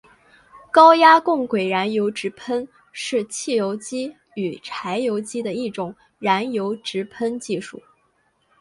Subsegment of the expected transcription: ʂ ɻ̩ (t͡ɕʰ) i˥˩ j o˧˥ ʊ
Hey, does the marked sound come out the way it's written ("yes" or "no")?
yes